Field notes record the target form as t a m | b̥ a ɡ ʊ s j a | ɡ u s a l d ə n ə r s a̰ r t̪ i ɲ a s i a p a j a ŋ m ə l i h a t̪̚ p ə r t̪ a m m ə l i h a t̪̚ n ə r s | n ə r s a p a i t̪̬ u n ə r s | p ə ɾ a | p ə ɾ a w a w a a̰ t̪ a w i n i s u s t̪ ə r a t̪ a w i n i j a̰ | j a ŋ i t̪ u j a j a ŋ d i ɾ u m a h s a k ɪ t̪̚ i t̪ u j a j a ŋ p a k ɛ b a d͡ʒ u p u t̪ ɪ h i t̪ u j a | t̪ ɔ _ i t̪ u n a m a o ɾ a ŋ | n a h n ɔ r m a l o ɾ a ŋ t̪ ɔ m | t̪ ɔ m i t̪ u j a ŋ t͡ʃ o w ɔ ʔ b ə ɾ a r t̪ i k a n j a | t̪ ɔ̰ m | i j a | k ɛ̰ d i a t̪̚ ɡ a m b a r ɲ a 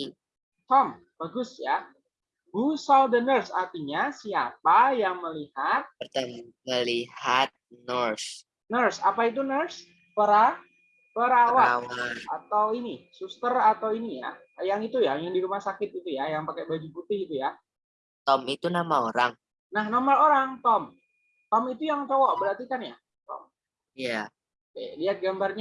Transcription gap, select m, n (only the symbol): m